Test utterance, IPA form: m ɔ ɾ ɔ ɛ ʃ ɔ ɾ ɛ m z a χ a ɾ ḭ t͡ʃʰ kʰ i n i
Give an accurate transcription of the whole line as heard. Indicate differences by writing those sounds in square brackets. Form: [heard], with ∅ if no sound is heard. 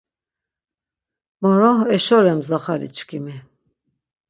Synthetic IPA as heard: m ɔ ɾ ɔ ɛ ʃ ɔ ɾ ɛ m z a χ a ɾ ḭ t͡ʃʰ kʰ i [m] i

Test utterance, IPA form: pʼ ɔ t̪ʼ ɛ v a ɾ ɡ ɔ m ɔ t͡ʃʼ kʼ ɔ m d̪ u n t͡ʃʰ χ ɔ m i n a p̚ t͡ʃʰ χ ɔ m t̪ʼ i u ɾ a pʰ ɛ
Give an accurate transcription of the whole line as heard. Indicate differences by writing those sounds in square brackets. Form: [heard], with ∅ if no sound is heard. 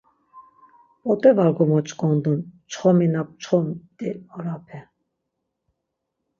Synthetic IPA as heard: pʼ ɔ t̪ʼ ɛ v a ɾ ɡ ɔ m ɔ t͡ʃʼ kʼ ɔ [n] d̪ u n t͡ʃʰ χ ɔ m i n a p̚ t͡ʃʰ χ ɔ m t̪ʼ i [ɔ] ɾ a pʰ ɛ

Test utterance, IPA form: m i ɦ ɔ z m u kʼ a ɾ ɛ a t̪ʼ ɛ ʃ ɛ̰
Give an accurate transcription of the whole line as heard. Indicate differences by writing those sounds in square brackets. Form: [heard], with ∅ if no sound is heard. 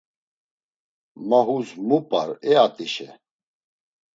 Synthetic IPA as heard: m [a] ɦ [u] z m u [pʼ] a ɾ ɛ a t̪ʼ [i] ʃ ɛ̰

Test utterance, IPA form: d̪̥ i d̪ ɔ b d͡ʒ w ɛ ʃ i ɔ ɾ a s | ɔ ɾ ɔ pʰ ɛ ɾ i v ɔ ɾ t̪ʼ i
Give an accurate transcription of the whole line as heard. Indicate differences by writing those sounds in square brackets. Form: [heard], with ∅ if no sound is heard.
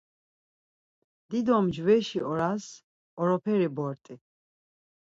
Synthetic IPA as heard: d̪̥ i d̪ ɔ [m] d͡ʒ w ɛ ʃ i ɔ ɾ a s | ɔ ɾ ɔ pʰ ɛ ɾ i [b] ɔ ɾ t̪ʼ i

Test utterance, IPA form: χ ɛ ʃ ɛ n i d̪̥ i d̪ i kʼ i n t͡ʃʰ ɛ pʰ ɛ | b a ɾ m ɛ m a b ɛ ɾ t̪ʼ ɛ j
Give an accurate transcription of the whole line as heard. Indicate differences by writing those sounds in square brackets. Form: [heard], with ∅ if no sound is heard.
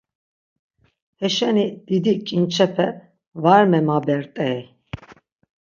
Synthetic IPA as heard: [h] ɛ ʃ ɛ n i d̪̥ i d̪ i kʼ i n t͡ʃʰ ɛ pʰ ɛ | [v] a ɾ m ɛ m a b ɛ ɾ t̪ʼ ɛ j

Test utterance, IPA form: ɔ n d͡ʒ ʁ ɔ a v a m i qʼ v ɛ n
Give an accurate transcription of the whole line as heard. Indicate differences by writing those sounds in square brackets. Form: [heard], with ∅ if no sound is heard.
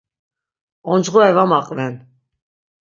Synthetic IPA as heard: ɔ n d͡ʒ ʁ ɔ [ɛ] v a m [a] qʼ v ɛ n

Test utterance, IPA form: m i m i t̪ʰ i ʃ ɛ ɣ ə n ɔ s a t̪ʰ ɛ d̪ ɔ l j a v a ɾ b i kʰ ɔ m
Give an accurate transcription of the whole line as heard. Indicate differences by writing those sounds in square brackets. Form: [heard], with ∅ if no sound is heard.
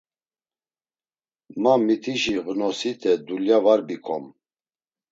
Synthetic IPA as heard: m [a] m i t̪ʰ i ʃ [i] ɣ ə n ɔ s [i] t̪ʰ ɛ d̪ [u] l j a v a ɾ b i kʰ ɔ m

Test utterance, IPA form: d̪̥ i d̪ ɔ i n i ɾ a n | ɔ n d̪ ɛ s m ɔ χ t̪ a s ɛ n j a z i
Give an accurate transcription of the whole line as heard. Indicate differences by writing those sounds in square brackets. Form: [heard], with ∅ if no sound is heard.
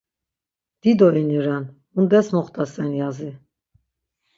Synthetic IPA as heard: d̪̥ i d̪ ɔ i n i ɾ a n | [u] n d̪ ɛ s m ɔ χ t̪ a s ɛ n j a z i

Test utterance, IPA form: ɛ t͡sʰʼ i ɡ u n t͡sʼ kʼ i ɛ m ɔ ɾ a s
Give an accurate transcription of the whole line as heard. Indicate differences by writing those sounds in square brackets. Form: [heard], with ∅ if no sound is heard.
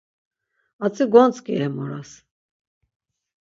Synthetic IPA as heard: [a] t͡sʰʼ i ɡ [ɔ] n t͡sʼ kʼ i ɛ m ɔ ɾ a s

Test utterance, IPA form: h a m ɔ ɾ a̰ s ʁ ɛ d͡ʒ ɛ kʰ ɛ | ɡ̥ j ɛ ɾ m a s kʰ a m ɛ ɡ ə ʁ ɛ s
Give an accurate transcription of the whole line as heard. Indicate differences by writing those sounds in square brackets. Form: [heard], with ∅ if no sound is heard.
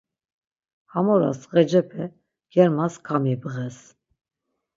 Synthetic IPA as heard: h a m ɔ ɾ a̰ s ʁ ɛ d͡ʒ ɛ [pʰ] ɛ | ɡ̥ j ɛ ɾ m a s kʰ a m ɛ [b] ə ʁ ɛ s

